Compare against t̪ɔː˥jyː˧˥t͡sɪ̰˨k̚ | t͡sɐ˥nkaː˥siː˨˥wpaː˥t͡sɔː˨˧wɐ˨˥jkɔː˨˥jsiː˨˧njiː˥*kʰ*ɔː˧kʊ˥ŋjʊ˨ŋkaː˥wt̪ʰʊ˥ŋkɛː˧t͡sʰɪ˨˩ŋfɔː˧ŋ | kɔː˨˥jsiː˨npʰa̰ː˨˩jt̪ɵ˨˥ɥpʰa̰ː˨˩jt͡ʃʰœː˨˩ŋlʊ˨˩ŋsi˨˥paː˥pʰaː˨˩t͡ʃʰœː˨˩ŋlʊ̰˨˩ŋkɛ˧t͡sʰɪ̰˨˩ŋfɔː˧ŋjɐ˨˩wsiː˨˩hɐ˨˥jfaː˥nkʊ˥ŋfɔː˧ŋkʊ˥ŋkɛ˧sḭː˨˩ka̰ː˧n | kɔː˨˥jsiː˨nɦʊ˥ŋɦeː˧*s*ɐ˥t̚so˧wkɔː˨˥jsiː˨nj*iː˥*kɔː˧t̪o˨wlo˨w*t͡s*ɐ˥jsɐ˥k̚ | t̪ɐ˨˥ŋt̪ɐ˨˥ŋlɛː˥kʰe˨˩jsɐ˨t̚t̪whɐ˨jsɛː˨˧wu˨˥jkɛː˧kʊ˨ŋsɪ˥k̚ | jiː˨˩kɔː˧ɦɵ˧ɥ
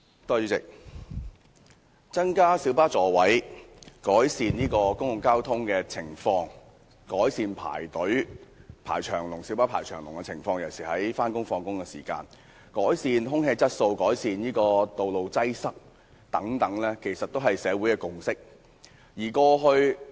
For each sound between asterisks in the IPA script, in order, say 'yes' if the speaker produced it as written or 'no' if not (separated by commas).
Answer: no, no, yes, yes